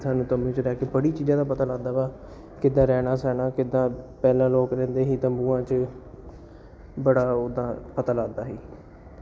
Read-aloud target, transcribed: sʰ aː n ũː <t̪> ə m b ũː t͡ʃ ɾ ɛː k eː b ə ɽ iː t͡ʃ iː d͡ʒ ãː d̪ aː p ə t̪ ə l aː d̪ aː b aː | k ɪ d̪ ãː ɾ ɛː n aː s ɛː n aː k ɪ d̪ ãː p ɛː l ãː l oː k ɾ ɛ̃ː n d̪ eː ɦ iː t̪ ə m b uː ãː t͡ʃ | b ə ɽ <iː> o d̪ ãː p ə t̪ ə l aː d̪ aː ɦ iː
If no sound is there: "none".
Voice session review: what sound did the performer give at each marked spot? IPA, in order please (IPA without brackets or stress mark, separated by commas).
t̪, aː